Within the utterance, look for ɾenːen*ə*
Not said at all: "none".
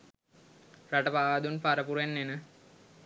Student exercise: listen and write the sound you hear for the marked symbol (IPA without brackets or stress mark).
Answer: ə